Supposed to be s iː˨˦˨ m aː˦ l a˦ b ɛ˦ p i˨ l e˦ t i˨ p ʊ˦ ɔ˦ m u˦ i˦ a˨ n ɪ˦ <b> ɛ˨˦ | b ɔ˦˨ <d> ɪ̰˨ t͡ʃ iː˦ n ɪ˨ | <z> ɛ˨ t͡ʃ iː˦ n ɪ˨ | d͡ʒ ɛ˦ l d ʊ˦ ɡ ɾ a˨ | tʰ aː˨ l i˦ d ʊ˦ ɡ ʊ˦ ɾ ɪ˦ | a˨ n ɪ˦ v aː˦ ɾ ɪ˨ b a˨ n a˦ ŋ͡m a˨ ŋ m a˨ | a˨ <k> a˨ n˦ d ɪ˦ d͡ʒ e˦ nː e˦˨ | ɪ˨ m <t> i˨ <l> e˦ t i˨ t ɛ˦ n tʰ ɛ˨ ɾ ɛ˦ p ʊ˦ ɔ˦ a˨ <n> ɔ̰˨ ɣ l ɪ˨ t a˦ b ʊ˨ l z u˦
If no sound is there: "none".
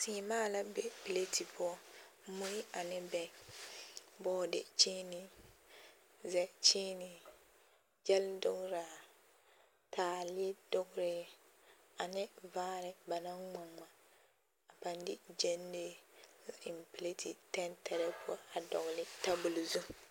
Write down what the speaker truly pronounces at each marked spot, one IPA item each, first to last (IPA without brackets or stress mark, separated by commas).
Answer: b, d, z, p, p, l, d